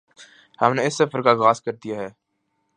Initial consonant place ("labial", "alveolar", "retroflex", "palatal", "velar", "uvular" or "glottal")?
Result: glottal